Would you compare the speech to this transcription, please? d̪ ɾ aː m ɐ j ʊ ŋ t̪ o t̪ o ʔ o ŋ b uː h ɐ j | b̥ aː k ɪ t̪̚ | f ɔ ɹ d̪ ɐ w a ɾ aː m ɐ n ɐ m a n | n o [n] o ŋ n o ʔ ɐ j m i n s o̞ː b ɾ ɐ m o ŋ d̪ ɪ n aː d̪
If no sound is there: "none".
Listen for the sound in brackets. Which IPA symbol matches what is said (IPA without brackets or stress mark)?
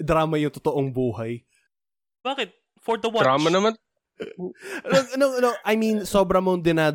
n